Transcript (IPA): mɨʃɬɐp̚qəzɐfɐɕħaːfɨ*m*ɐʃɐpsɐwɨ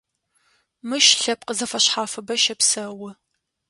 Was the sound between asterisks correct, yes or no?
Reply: no